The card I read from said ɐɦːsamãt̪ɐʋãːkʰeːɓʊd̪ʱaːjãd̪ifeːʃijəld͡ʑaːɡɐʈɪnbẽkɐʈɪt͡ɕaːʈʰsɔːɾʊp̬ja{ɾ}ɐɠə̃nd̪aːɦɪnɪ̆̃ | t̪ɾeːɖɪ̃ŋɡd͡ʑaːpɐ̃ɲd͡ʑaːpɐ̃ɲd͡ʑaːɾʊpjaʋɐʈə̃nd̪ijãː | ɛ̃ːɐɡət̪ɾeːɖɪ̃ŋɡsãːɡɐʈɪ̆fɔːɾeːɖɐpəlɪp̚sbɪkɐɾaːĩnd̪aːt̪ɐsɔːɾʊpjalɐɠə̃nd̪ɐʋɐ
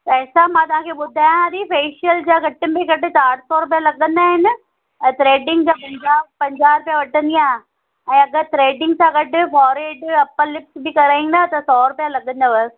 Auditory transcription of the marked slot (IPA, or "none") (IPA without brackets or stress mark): l